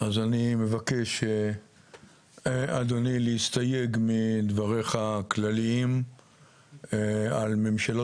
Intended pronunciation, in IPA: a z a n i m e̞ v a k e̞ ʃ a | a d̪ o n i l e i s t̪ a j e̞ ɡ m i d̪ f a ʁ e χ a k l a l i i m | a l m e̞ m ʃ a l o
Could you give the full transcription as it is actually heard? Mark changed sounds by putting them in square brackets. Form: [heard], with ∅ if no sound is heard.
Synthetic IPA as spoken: a z a n i m e̞ v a k e̞ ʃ [e] | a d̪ o n i l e i s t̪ a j e̞ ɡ m i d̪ [v] a ʁ e χ a k l a l i i m | a l m e̞ m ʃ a l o

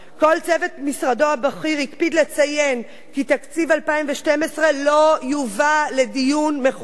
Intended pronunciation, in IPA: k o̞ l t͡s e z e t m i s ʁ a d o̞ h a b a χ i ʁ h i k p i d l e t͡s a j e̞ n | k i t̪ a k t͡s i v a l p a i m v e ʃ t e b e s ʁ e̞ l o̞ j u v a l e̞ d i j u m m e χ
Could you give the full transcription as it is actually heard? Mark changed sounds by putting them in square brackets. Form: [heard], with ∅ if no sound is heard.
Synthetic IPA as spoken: k o̞ l t͡s e [v] e t m i s ʁ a d o̞ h a b a χ i ʁ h i k p i d l e t͡s a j e̞ n | k i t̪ a k t͡s i v a l p a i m v e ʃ t e [m] e s ʁ e̞ l o̞ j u v a l e̞ d i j u [n] m e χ

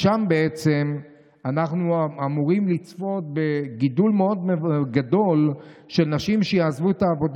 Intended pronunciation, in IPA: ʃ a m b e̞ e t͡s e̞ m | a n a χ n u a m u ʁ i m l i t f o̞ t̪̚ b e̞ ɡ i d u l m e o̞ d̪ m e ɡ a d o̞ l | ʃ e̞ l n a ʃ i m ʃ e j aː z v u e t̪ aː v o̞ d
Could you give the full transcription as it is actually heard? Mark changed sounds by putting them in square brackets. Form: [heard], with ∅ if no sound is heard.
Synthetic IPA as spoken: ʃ a m b e̞ e t͡s e̞ m | a n a χ n u a m u ʁ i m l i [t͡s] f o̞ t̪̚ b e̞ ɡ i d u l m e o̞ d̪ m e ɡ a d o̞ l | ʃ e̞ l n a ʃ i m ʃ e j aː z v u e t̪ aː v o̞ d

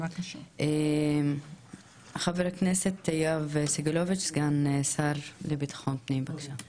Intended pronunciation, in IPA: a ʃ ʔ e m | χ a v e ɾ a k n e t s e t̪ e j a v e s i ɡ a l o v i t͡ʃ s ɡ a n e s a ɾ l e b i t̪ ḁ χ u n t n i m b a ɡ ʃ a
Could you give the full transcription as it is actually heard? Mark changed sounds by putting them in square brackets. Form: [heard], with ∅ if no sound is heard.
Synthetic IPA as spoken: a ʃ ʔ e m | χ a v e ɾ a k n e [∅] s e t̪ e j a v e s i ɡ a l o v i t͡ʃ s ɡ a n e s a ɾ l e b i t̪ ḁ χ [o] n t n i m b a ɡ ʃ a

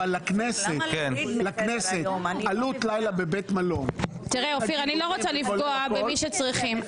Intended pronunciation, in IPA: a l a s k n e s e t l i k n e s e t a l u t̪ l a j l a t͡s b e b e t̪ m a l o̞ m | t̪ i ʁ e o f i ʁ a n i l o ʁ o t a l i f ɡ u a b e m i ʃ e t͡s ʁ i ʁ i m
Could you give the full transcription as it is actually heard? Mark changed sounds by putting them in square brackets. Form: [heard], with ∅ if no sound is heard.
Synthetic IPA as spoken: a l a [∅] k n e s e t l [a] k n e s e t a l u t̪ l a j l a [∅] b e b e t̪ m a l o̞ m | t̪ i ʁ e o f i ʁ a n i l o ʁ o [t͡s] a l i f ɡ [o] a b e m i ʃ e t͡s ʁ i [χ] i m

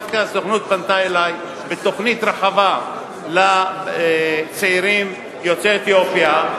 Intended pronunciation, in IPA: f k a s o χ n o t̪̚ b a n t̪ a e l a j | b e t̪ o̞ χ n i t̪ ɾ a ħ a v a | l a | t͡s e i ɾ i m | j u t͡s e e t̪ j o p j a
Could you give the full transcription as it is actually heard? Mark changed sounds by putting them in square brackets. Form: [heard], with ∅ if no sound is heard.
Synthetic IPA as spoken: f k a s o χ n [u] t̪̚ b a n t̪ a e l a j | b e t̪ o̞ χ n i t̪ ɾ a ħ a v a | l a | t͡s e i ɾ i m | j [o] t͡s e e t̪ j o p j a

